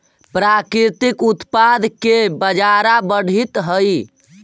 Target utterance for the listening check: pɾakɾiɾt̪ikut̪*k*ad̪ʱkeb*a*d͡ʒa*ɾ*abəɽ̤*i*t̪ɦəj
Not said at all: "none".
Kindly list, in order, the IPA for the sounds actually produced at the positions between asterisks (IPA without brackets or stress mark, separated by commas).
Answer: p, ə, ɾ, i